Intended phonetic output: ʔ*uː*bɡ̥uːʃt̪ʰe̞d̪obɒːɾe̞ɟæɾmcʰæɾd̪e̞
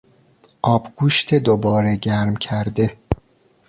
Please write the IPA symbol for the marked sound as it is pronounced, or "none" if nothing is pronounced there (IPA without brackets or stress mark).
ɒː